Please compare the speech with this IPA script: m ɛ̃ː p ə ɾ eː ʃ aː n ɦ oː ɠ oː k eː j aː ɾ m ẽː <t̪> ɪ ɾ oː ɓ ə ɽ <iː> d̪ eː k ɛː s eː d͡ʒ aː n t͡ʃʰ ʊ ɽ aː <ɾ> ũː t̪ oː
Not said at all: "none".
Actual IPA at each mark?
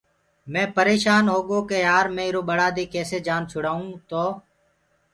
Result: none, aː, none

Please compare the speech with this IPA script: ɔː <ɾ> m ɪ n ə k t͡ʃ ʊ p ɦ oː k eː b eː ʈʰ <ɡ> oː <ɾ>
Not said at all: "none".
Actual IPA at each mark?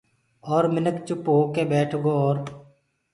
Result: ɾ, ɡ, ɾ

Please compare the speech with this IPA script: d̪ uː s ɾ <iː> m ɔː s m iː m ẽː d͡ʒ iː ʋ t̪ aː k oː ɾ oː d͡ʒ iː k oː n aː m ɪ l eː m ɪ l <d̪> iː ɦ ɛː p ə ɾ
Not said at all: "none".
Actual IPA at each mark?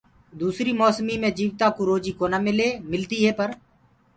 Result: iː, t̪

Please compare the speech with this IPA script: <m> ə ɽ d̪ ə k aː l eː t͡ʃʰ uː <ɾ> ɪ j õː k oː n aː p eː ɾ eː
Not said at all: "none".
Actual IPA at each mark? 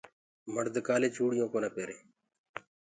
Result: m, ɽ

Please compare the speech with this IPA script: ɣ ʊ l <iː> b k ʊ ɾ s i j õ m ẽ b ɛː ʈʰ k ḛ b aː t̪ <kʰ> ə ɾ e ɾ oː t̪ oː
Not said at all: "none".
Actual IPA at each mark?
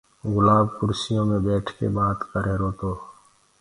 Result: aː, k

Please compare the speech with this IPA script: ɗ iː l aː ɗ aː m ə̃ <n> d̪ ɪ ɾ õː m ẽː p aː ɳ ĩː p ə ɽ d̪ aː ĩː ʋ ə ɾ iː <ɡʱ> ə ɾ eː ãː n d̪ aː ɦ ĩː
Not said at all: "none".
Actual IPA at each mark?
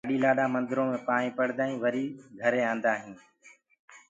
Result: n, ɡʱ

